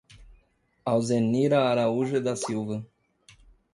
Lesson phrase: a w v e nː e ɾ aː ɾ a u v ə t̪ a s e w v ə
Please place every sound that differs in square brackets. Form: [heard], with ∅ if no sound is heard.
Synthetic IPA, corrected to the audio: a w [z] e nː [i] ɾ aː ɾ a u [ʒ] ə [d̪] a s [i] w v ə